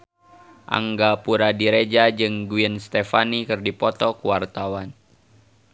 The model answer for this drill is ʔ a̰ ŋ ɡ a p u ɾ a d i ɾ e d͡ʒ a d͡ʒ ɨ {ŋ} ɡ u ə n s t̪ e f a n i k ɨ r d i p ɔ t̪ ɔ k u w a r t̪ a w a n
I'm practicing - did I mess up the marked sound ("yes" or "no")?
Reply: no